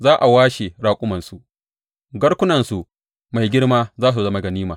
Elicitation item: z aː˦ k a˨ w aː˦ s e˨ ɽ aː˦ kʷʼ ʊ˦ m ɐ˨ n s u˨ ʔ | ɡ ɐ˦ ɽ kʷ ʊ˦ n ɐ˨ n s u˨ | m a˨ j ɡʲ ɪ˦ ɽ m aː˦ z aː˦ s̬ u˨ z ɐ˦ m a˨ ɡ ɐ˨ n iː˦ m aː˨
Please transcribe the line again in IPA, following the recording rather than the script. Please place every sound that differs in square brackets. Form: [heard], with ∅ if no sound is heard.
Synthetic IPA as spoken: z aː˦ [ʔ] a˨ w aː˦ [ʃ] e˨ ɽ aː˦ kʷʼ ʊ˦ m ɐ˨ n s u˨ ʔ | ɡ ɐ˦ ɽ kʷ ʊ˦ n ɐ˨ n s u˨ | m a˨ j ɡʲ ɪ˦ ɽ m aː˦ z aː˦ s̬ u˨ z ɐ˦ m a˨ ɡ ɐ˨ n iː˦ m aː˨